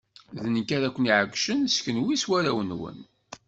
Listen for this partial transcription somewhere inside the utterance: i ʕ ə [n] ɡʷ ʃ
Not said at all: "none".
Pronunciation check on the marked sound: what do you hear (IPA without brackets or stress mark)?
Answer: none